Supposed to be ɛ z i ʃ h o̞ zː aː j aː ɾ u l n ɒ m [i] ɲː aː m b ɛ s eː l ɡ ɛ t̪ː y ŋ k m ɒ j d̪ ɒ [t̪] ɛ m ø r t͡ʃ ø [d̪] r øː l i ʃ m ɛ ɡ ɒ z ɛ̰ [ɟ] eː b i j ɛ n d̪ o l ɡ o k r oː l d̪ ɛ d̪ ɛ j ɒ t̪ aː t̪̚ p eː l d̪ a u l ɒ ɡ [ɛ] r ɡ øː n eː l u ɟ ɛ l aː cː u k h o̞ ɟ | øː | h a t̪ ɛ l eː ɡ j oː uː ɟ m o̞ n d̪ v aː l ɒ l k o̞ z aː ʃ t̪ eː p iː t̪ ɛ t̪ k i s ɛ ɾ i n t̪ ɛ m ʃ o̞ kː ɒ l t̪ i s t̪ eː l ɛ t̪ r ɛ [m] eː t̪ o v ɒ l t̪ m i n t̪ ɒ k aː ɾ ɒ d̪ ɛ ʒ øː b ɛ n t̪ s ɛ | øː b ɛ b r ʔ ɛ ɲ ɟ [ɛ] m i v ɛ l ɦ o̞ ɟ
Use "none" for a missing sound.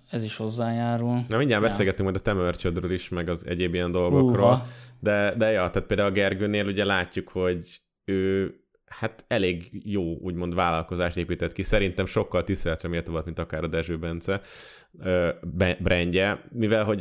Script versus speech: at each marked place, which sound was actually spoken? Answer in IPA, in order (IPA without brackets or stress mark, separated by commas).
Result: i, t̪, d̪, ɟ, ɛ, m, ɛ